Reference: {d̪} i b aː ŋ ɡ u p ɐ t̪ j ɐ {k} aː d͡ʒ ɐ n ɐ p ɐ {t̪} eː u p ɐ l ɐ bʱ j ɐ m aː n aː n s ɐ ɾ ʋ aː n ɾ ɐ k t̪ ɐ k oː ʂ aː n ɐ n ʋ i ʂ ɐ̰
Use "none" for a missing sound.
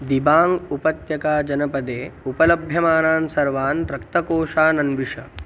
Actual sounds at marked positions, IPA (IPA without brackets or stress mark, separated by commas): d̪, k, d̪